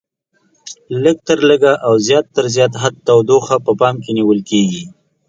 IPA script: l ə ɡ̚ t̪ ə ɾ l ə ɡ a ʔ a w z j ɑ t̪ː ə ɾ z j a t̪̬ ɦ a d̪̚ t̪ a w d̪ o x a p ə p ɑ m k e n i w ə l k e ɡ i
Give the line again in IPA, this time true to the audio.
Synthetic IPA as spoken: l ə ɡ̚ t̪ ə ɾ l ə ɡ a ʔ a w z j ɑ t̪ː ə ɾ z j ɑ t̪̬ ɦ a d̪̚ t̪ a w d̪ o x a p ə p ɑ m k e n i w ə l k e ɡ i